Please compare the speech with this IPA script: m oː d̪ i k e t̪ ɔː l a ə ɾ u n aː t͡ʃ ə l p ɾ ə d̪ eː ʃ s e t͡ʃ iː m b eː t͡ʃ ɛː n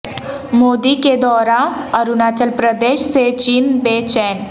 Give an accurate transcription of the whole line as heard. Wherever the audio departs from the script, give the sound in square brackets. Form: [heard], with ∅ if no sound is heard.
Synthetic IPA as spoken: m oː d̪ i k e [d̪] ɔː [ɾ] a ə ɾ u n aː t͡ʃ ə l p ɾ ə d̪ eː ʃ s e t͡ʃ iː [n] b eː t͡ʃ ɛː n